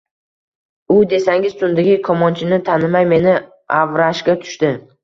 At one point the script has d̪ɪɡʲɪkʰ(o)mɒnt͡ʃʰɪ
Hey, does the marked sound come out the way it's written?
no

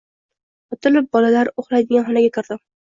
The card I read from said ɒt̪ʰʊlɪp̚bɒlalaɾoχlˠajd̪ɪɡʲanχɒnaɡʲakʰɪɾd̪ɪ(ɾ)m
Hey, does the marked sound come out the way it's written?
no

